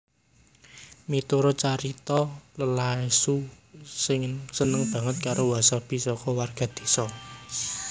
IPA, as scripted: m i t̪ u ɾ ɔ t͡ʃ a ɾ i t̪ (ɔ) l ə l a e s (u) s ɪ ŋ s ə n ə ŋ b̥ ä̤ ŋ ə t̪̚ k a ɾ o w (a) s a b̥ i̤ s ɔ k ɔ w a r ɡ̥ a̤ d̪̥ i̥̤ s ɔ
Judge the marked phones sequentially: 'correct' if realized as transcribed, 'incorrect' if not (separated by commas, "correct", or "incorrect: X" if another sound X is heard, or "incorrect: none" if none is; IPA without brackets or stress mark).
correct, correct, correct